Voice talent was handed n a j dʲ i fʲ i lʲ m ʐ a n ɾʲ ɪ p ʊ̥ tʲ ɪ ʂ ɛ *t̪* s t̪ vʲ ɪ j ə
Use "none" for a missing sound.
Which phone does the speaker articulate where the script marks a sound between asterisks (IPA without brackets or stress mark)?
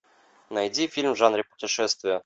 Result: none